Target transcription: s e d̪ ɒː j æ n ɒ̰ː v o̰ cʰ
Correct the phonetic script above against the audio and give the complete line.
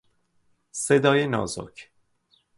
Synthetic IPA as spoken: s e d̪ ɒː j e n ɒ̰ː z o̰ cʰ